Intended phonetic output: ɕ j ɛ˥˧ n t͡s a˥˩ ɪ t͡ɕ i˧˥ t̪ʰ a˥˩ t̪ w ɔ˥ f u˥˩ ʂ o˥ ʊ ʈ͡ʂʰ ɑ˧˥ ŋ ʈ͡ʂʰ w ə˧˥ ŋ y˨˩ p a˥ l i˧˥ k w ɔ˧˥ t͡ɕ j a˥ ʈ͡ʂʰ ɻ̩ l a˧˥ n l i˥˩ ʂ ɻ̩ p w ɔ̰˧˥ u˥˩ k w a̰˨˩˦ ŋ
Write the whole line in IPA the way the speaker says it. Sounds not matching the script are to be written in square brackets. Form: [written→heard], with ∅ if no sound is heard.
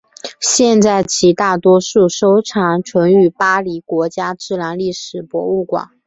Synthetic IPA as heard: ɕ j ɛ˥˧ n t͡s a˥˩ ɪ [t͡ɕ→t͡ɕʰ] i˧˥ [t̪ʰ→t̪] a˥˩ t̪ w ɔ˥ [f→ʂ] u˥˩ ʂ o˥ ʊ ʈ͡ʂʰ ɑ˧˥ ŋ ʈ͡ʂʰ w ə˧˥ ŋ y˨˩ p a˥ l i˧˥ k w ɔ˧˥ t͡ɕ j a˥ [ʈ͡ʂʰ→ʈ͡ʂ] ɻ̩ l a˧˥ n l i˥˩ ʂ ɻ̩ p w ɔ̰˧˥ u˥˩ k w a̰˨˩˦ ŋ

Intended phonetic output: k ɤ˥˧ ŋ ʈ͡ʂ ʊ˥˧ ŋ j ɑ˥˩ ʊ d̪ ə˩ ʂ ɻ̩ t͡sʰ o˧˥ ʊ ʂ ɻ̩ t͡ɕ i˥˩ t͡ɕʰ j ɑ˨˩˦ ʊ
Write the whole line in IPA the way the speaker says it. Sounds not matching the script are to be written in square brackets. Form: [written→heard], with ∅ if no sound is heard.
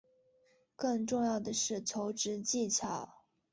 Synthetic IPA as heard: k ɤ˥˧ ŋ ʈ͡ʂ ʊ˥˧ ŋ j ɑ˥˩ ʊ d̪ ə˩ ʂ ɻ̩ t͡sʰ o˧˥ ʊ [ʂ→ʈ͡ʂ] ɻ̩ t͡ɕ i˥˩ t͡ɕʰ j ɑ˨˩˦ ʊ

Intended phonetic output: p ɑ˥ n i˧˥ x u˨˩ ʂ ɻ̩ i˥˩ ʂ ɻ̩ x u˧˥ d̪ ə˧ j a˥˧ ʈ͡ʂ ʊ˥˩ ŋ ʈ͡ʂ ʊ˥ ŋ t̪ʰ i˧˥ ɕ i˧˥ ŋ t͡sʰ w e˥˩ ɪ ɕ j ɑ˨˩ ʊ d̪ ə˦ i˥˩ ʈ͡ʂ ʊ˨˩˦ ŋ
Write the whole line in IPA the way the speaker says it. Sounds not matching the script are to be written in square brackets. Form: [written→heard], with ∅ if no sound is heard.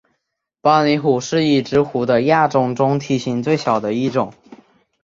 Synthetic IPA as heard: p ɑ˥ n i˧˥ x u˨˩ ʂ ɻ̩ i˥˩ [ʂ→ʈ͡ʂ] ɻ̩ x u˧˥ d̪ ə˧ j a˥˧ ʈ͡ʂ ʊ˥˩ ŋ ʈ͡ʂ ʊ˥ ŋ t̪ʰ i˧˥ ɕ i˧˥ ŋ [t͡sʰ→t͡s] w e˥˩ ɪ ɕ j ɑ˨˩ ʊ d̪ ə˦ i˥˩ ʈ͡ʂ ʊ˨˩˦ ŋ

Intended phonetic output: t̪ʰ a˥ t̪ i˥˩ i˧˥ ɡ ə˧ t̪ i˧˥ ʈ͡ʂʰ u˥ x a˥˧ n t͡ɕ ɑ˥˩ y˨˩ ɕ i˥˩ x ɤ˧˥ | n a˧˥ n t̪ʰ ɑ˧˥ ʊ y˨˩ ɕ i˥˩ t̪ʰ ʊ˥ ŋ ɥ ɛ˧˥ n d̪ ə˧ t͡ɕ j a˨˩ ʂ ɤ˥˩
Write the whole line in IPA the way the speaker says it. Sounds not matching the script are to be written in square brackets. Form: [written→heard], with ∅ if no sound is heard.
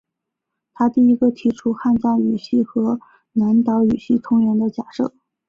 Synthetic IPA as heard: t̪ʰ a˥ t̪ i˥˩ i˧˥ ɡ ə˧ [t̪→t̪ʰ] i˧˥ ʈ͡ʂʰ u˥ x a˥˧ n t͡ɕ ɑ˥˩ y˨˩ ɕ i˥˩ x ɤ˧˥ | n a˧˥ n [t̪ʰ→t̪] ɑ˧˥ ʊ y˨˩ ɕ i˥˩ t̪ʰ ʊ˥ ŋ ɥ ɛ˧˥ n d̪ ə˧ t͡ɕ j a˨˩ ʂ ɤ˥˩

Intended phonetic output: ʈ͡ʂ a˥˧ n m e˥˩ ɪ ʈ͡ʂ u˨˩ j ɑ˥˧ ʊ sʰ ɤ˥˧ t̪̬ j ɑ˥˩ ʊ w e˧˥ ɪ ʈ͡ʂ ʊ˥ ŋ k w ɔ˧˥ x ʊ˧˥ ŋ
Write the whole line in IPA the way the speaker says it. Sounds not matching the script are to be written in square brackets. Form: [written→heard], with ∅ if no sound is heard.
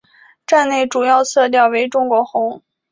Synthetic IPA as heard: ʈ͡ʂ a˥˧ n [m→n] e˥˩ ɪ ʈ͡ʂ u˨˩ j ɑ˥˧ ʊ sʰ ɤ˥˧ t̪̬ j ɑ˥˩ ʊ w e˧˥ ɪ ʈ͡ʂ ʊ˥ ŋ k w ɔ˧˥ x ʊ˧˥ ŋ

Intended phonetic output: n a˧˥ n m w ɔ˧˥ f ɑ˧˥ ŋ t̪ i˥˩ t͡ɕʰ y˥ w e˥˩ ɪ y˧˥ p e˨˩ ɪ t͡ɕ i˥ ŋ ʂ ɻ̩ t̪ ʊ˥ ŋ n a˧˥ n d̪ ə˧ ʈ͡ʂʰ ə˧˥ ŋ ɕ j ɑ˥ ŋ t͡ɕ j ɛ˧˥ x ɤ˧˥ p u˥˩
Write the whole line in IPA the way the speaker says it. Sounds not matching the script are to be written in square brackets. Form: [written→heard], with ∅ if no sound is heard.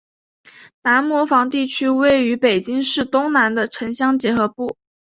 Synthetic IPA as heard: n a˧˥ n m w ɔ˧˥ f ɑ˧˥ ŋ t̪ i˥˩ t͡ɕʰ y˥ w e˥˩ ɪ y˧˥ p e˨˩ ɪ t͡ɕ i˥ ŋ ʂ ɻ̩ t̪ ʊ˥ ŋ n a˧˥ n d̪ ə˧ ʈ͡ʂʰ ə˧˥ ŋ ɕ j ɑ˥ ŋ t͡ɕ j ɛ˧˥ x ɤ˧˥ p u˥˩

